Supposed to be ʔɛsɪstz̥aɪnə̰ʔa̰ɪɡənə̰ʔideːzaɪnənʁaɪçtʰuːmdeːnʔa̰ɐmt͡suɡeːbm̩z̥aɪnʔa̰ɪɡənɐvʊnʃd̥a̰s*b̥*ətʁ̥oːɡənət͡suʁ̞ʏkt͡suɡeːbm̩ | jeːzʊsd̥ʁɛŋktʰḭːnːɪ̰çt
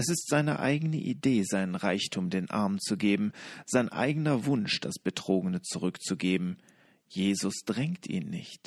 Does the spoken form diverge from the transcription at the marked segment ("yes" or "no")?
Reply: no